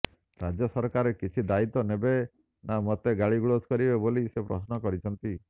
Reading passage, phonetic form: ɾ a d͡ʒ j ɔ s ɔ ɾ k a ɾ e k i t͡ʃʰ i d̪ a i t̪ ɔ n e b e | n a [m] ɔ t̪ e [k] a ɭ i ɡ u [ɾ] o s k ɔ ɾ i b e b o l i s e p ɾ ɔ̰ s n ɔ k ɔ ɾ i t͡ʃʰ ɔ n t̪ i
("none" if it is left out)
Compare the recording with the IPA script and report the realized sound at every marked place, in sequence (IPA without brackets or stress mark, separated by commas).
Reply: m, ɡ, ɭ